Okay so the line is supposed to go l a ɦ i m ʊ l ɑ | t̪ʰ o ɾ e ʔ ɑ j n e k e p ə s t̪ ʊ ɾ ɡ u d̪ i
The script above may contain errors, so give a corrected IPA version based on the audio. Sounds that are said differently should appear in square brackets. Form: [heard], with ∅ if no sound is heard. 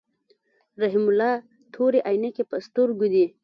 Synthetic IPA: [ɾ] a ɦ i m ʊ l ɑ | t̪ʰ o ɾ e ʔ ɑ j n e k e p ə s t̪ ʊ ɾ ɡ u d̪ i